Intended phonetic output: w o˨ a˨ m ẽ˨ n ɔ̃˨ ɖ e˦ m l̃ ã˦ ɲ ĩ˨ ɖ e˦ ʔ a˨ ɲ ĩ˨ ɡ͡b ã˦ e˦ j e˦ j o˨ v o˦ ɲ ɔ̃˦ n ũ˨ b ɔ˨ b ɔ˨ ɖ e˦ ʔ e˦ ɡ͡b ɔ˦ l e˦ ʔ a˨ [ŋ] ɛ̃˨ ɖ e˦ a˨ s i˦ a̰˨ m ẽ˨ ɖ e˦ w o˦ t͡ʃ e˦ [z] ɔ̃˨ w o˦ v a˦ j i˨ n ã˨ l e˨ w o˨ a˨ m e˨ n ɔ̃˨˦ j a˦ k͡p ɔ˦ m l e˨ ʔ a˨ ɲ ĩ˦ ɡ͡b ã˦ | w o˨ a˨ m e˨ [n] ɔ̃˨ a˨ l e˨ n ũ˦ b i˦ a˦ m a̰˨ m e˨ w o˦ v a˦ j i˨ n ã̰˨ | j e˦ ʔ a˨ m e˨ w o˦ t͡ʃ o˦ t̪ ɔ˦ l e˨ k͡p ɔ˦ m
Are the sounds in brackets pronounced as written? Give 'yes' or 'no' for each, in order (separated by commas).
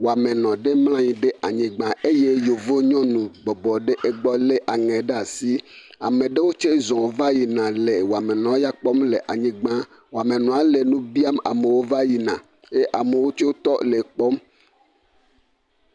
yes, yes, yes